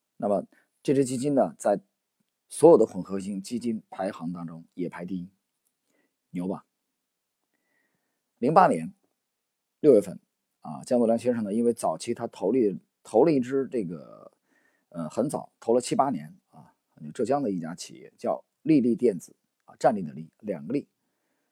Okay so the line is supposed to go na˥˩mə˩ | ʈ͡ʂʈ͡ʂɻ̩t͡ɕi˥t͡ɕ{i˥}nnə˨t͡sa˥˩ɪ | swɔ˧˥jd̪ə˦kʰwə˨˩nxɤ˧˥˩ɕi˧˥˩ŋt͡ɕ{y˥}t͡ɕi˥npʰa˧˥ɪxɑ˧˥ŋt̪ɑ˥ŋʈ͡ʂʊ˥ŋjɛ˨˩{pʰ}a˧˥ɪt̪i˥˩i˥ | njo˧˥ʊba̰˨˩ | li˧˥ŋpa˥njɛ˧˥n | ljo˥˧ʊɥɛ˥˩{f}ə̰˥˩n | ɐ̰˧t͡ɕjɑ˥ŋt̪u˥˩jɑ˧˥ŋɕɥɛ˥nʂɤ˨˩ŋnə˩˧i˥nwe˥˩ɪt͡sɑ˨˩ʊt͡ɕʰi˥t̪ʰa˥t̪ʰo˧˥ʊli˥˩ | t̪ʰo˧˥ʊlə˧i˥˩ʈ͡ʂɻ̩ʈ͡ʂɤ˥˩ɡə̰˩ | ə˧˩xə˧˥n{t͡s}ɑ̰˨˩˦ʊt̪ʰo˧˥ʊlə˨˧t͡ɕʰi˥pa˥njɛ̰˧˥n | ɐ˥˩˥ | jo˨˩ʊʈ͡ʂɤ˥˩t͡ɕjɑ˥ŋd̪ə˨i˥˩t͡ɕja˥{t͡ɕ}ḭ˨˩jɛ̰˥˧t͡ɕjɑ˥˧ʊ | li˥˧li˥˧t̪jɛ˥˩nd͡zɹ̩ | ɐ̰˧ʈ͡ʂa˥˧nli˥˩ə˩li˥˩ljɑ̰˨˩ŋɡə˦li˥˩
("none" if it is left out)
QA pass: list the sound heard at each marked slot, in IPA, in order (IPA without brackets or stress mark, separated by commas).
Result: i˥, i˥, pʰ, f, t͡s, t͡ɕʰ